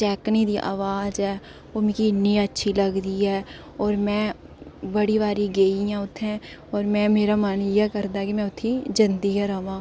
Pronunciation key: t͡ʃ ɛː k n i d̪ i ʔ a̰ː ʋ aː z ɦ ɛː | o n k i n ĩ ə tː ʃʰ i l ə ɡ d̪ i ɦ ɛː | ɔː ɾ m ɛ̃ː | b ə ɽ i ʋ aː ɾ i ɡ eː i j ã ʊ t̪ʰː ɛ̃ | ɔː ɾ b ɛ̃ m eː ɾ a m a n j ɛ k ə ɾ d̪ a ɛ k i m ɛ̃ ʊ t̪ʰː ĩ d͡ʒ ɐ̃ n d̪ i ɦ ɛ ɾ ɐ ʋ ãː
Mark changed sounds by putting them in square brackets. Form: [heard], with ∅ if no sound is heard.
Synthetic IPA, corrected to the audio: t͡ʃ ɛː k n i d̪ i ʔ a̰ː ʋ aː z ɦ ɛː | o [m] k i n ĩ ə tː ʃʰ i l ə ɡ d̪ i ɦ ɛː | ɔː ɾ m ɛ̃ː | b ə ɽ i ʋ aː ɾ i ɡ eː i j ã ʊ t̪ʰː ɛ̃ | ɔː ɾ [m] ɛ̃ m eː ɾ a m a n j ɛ k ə ɾ d̪ a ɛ k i m ɛ̃ ʊ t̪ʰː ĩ d͡ʒ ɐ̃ n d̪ i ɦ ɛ ɾ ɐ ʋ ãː